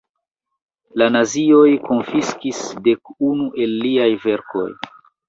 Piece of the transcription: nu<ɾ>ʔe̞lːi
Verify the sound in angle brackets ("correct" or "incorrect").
incorrect